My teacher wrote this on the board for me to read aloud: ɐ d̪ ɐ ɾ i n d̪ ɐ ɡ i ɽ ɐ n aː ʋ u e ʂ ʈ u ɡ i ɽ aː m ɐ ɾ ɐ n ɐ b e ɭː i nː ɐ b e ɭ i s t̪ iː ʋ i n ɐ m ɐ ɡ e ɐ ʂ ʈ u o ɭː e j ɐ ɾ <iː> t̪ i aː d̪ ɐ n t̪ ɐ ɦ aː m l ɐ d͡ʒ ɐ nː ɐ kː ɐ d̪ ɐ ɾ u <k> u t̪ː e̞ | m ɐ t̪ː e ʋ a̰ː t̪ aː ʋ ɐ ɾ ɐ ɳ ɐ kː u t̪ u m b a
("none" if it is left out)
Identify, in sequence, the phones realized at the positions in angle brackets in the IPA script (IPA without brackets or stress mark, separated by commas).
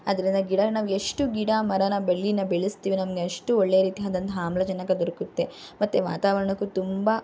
iː, k